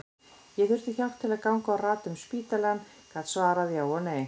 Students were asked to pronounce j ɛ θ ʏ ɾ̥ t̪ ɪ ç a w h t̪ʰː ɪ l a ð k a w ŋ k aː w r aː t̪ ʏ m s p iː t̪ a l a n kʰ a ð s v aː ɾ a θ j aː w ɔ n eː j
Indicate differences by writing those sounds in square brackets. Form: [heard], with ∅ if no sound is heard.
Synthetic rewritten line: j ɛ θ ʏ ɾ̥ t̪ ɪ ç a w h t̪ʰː ɪ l a ð k a w ŋ k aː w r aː t̪ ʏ m s p iː t̪ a l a n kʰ a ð s v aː ɾ a [ð] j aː w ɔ n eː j